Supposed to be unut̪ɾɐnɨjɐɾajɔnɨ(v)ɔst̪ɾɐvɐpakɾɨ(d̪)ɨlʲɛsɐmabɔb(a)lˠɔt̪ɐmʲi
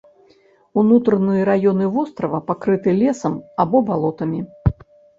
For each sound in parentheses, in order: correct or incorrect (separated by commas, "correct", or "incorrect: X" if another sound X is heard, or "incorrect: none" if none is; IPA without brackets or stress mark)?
correct, incorrect: t̪, correct